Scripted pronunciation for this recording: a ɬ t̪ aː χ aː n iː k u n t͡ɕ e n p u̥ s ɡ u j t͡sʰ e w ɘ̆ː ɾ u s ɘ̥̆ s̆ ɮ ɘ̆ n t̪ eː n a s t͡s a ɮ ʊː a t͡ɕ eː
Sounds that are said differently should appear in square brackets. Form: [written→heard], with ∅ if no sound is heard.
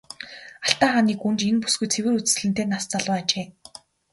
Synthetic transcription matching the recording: a ɬ t̪ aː χ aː n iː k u n t͡ɕ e n p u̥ s ɡ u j t͡sʰ e w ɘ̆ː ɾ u [s→t͡s] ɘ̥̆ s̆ ɮ ɘ̆ n t̪ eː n a s t͡s a ɮ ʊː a t͡ɕ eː